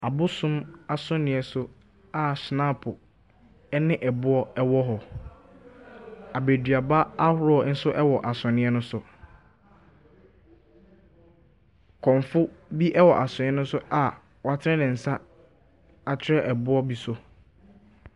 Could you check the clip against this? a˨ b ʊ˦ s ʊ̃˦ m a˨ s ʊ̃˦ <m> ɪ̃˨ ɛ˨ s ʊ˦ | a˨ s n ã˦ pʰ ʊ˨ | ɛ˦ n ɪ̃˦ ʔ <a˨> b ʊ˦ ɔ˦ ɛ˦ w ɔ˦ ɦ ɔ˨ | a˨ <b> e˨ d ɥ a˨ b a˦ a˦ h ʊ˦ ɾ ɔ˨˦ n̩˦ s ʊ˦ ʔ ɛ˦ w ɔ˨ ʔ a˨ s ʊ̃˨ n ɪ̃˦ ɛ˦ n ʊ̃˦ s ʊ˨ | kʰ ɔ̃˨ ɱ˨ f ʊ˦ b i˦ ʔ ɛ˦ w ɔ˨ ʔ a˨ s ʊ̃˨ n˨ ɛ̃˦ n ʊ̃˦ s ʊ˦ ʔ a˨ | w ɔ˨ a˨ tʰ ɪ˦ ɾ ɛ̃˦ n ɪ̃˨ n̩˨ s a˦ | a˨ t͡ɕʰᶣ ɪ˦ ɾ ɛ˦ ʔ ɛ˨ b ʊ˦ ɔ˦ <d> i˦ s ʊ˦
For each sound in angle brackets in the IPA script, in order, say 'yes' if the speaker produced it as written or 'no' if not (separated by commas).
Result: no, no, yes, no